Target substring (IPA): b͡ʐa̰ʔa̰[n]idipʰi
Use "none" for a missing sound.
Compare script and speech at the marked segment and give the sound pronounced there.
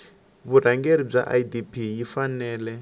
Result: none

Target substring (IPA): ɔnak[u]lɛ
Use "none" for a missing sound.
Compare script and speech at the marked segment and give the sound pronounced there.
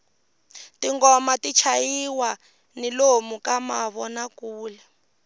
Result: uː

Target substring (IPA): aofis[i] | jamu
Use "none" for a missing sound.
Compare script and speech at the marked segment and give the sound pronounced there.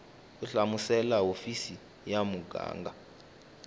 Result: i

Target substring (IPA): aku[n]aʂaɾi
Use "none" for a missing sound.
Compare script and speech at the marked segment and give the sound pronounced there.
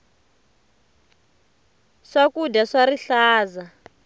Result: d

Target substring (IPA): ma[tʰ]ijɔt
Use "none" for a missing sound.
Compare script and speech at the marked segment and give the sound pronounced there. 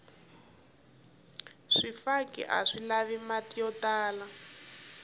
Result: t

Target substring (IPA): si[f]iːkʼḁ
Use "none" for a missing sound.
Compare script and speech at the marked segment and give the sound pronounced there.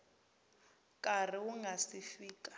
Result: f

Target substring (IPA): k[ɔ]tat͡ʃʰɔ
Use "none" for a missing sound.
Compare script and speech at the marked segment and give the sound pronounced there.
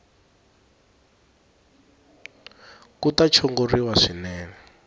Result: u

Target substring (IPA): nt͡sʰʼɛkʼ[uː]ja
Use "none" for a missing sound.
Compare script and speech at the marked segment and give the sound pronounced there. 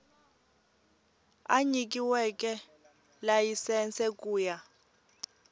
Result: uː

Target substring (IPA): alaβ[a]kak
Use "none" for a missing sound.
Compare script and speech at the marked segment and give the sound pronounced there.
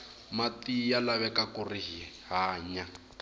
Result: ɛ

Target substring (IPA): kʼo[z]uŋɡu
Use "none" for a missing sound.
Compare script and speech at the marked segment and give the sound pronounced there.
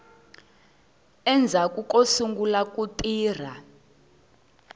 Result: s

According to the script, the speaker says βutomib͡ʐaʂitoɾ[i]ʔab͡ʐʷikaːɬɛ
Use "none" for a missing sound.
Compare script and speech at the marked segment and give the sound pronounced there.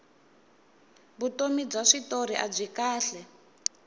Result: i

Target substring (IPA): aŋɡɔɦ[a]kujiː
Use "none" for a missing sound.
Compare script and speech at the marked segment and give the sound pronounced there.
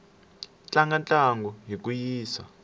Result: i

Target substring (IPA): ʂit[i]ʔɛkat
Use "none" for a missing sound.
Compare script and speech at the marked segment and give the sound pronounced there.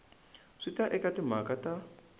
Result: a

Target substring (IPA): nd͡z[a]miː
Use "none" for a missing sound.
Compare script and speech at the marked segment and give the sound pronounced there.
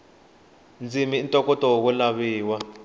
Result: i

